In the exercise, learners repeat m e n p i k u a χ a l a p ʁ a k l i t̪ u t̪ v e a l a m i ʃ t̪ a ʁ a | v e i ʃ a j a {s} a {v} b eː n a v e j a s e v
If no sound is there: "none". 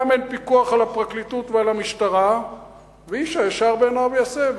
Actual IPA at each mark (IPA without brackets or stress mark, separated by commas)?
ʃ, ʁ